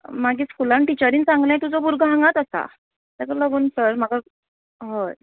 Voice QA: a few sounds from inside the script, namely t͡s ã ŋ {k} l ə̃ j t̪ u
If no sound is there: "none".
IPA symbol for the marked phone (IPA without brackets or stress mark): ɡ